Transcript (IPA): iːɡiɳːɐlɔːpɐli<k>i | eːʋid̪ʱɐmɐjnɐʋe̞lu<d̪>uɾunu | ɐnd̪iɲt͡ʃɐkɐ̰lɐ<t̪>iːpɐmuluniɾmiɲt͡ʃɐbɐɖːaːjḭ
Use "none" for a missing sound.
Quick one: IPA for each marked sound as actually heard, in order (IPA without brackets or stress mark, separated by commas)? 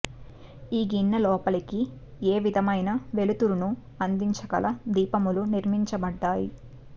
k, t̪, d̪